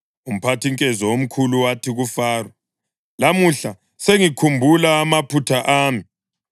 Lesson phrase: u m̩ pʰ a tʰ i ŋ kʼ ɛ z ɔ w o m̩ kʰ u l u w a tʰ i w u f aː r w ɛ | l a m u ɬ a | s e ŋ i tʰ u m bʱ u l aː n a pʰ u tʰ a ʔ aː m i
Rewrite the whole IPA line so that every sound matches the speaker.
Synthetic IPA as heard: u m̩ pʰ a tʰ i ŋ kʼ ɛ z ɔ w o m̩ kʰ u l u w a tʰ i ɣ u f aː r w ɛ | l a m u ɬ a | s e ŋ i kʰ u m bʱ u l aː m a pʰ u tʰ a ʔ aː m i